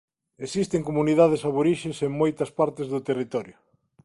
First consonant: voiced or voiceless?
voiceless